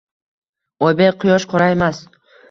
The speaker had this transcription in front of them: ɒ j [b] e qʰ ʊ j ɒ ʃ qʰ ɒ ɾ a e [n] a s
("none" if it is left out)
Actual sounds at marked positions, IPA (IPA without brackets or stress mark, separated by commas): b, m